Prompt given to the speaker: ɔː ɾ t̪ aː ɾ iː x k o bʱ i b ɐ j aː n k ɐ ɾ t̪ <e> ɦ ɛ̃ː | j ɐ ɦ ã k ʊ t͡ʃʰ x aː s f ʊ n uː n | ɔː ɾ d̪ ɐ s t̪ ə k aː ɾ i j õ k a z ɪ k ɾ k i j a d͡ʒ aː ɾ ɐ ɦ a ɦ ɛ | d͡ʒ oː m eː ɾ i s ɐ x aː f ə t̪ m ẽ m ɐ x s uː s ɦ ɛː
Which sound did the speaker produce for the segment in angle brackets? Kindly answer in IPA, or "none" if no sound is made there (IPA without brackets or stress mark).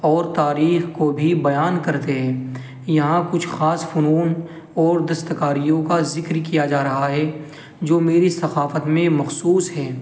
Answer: e